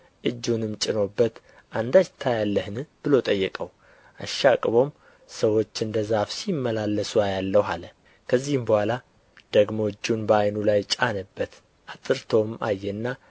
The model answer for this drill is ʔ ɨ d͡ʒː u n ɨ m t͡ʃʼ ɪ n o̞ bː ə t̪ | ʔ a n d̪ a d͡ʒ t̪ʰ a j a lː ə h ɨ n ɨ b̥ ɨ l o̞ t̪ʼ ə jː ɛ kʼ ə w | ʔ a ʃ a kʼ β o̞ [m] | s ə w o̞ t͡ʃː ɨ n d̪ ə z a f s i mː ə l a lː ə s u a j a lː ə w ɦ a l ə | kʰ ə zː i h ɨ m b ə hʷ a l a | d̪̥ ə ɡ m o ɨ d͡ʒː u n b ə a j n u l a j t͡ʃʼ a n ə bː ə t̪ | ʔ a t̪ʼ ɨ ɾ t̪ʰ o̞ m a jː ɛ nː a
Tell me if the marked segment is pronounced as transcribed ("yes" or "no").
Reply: yes